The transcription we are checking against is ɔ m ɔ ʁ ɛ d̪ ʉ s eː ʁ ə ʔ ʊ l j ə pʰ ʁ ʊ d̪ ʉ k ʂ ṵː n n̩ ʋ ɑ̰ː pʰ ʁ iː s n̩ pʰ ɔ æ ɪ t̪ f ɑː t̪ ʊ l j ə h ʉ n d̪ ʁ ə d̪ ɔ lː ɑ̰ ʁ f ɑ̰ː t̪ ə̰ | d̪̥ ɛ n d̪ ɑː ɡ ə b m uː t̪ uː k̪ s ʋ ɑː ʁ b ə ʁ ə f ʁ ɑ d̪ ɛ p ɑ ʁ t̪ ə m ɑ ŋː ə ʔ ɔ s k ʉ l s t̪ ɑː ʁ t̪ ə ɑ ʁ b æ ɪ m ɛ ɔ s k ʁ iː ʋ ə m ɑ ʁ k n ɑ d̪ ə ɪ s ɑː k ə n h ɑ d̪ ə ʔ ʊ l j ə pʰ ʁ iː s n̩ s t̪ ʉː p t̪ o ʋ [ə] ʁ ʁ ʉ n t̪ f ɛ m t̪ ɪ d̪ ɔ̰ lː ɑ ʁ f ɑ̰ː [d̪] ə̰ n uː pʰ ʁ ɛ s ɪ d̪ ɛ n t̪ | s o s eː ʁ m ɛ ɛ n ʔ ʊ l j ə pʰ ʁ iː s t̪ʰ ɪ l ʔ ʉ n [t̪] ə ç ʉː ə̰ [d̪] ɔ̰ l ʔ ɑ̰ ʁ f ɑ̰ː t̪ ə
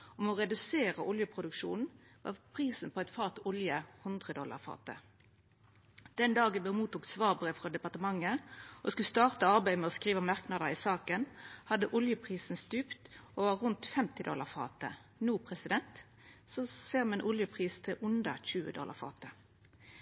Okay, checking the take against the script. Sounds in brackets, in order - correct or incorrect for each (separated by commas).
incorrect, incorrect, incorrect, correct